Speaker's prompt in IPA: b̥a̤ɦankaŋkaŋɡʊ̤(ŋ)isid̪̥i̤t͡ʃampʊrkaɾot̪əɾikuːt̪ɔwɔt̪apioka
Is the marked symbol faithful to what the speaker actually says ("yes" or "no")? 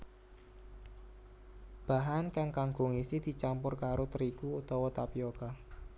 yes